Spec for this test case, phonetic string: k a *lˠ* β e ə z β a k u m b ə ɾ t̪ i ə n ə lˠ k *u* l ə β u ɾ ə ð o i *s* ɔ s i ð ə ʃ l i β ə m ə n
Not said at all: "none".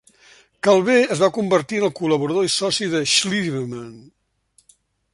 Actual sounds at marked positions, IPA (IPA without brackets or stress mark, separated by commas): lˠ, u, s